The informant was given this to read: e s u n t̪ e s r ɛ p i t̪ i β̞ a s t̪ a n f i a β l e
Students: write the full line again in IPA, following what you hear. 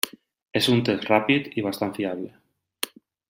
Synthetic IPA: e s u n t̪ e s r a p i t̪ i β̞ a s t̪ a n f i a β l e